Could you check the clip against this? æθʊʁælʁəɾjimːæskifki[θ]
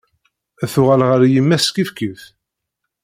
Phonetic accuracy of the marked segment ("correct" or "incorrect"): correct